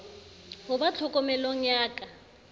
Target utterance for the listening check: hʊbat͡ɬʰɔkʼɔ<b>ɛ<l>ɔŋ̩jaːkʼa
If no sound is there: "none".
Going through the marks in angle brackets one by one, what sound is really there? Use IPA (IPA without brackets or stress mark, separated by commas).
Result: m, l